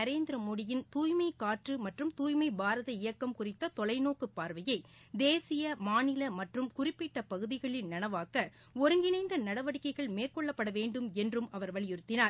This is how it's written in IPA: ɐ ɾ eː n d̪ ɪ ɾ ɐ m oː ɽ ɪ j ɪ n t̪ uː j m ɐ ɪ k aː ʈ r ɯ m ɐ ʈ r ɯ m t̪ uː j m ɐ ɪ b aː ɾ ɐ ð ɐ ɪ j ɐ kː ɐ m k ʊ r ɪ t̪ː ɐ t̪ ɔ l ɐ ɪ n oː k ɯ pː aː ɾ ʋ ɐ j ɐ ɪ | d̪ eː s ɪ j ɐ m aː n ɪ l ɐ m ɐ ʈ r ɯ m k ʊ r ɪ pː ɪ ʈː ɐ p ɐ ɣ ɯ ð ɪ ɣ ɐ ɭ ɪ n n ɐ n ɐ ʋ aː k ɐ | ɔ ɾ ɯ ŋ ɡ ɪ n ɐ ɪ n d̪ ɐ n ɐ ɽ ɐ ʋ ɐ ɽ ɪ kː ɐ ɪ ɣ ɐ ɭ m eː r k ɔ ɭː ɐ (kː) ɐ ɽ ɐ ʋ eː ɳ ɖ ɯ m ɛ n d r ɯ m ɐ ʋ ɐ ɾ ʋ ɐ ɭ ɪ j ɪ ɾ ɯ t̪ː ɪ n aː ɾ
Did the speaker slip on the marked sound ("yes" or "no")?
yes